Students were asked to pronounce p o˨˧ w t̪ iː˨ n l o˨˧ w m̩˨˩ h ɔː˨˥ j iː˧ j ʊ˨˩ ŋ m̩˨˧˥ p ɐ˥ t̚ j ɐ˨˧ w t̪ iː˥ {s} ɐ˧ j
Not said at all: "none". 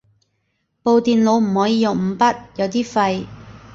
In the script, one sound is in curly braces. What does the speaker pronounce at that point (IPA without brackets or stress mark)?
f